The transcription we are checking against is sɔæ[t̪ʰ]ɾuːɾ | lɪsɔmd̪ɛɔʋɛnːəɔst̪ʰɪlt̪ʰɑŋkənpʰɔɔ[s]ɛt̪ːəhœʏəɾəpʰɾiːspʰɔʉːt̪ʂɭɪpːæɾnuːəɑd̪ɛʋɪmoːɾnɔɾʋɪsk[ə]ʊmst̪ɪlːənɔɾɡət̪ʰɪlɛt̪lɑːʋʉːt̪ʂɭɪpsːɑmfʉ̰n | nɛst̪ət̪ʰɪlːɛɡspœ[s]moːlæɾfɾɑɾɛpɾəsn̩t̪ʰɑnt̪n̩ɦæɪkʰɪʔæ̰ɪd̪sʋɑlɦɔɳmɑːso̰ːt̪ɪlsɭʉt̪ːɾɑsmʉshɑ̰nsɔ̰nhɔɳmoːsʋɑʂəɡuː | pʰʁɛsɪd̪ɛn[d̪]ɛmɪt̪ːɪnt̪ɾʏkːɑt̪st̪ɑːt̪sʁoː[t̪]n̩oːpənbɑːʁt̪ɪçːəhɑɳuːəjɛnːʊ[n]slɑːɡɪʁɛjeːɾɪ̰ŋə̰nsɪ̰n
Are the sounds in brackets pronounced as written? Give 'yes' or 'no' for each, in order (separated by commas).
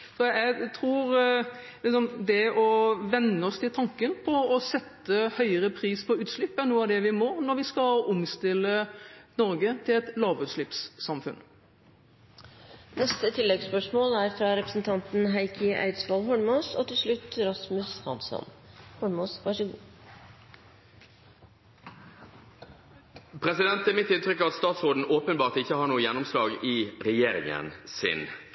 yes, yes, no, no, no, no, no